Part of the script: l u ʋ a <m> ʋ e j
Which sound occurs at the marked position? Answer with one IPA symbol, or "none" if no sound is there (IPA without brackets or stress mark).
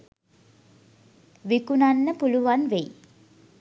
n